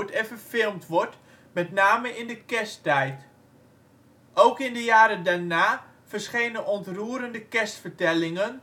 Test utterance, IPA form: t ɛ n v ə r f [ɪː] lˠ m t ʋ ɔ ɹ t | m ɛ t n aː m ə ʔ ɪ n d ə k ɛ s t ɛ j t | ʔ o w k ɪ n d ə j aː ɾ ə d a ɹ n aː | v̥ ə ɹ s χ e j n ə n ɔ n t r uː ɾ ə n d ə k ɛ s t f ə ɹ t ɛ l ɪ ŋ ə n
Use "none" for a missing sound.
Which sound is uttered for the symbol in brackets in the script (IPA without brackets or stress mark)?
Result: ɪ